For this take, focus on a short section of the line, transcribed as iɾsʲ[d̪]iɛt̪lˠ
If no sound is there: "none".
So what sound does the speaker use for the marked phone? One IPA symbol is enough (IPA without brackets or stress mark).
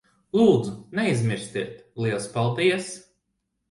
t̪